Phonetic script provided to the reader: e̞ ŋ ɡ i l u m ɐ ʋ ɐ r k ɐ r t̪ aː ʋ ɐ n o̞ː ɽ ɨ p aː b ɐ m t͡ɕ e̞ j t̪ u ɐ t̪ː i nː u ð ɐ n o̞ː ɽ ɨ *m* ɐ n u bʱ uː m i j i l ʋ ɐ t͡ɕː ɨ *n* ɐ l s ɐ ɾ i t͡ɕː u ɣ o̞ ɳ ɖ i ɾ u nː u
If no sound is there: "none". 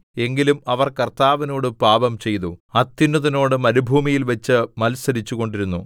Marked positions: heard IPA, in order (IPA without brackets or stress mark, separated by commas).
m, m